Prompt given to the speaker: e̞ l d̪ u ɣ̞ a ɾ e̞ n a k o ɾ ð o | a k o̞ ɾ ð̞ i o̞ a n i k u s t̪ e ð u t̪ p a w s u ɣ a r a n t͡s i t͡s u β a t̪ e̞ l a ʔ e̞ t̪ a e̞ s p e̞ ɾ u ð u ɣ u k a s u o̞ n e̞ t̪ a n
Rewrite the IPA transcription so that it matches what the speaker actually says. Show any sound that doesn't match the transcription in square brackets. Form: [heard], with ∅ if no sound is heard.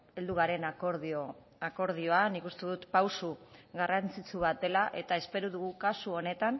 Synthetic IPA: e̞ l d̪ u ɣ̞ a ɾ e̞ n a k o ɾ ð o | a k o̞ ɾ ð̞ i o̞ a n i k u s t̪ e ð u t̪ p a w s u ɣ a r a n t͡s i t͡s u β a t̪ e̞ l a ʔ e̞ t̪ a e̞ s p e̞ ɾ u ð u ɣ u k a s u o̞ n e̞ t̪ a n